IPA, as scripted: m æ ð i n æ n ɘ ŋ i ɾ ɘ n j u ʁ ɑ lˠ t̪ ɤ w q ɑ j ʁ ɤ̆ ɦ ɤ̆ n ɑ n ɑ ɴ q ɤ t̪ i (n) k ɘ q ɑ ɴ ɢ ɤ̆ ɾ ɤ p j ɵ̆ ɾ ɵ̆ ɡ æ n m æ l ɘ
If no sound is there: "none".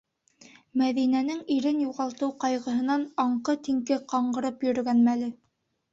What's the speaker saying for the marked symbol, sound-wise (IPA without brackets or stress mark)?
ŋ